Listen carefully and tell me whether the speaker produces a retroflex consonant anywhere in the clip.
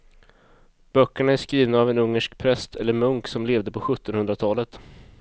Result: yes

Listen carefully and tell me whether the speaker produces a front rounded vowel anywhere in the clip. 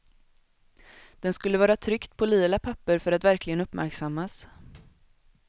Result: yes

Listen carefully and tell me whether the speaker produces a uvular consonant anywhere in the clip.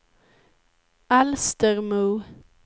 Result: yes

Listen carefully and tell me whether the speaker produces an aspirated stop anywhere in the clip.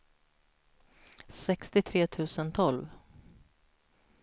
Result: yes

